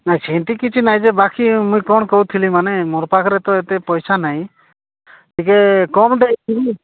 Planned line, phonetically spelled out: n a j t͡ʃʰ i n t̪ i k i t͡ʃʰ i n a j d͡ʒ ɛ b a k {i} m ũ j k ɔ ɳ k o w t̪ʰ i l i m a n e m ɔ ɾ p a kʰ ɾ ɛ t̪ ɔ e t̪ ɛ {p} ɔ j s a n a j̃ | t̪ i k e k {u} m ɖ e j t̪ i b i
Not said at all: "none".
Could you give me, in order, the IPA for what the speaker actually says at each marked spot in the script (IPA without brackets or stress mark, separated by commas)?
i, p, ɔ